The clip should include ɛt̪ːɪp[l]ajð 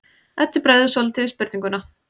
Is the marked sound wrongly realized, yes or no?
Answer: yes